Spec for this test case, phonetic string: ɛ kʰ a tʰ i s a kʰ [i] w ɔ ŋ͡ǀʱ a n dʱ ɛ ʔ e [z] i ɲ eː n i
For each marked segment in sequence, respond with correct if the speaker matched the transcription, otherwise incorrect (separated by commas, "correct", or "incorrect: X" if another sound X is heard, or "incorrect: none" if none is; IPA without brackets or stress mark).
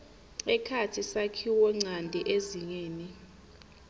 correct, correct